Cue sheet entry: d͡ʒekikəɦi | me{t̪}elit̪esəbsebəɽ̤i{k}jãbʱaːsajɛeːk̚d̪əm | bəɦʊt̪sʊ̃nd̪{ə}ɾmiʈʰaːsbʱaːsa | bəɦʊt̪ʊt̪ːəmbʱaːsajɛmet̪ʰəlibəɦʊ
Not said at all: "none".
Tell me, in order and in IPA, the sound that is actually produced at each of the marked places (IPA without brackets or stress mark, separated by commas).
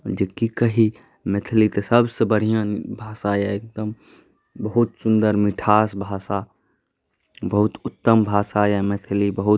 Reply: t̪ʰ, none, ə